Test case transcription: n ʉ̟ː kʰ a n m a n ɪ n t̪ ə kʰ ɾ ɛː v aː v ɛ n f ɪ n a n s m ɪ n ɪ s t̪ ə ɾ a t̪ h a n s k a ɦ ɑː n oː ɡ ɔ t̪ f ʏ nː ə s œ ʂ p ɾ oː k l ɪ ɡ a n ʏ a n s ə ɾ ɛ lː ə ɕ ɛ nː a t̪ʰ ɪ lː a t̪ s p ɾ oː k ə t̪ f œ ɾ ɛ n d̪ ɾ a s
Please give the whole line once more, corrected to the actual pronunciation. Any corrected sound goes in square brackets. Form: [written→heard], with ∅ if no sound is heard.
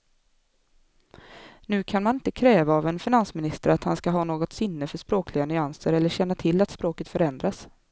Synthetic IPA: n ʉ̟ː kʰ a n m a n ɪ n t̪ ə kʰ ɾ ɛː v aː v ɛ n f ɪ n a n s m ɪ n ɪ s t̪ ə ɾ a t̪ h a n s k a ɦ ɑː n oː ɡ ɔ t̪ [f→s] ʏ nː ə [s→f] œ ʂ p ɾ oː k l ɪ ɡ a n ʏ a n s ə ɾ ɛ lː ə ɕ ɛ nː a t̪ʰ ɪ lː a t̪ s p ɾ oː k ə t̪ f œ ɾ ɛ n d̪ ɾ a s